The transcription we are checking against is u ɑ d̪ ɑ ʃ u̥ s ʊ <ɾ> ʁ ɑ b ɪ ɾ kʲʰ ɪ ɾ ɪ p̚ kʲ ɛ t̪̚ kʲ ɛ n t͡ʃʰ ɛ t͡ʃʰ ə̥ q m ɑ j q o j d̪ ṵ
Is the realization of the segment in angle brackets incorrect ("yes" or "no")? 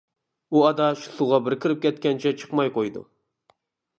yes